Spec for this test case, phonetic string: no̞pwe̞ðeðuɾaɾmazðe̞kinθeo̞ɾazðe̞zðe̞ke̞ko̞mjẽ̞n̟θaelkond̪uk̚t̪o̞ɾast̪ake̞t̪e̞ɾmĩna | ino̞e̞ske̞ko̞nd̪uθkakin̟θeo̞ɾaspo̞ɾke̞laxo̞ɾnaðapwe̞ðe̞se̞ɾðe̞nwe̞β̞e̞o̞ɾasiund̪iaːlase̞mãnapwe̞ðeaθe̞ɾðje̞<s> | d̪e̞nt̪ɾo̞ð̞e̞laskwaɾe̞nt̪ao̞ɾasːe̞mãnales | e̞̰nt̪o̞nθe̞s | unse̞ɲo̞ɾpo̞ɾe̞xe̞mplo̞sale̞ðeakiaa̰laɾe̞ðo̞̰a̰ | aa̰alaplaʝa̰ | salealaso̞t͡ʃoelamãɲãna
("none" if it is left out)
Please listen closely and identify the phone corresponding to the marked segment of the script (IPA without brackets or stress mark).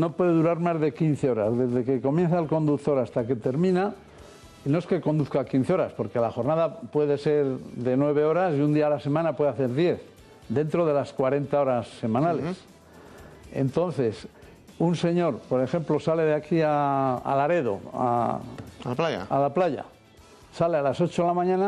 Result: θ